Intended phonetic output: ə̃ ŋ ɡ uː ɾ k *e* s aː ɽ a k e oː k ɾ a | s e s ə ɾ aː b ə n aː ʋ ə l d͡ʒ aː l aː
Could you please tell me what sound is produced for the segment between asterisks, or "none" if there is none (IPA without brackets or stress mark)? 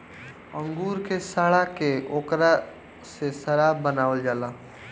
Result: e